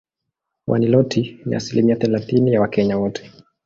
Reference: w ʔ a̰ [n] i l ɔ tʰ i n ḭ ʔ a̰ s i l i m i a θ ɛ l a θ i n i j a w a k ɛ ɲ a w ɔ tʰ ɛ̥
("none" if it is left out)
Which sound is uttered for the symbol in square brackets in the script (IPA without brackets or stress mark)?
n